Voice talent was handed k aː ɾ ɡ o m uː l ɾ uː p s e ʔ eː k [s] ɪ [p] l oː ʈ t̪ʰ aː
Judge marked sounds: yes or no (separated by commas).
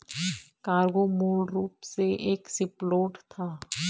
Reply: yes, yes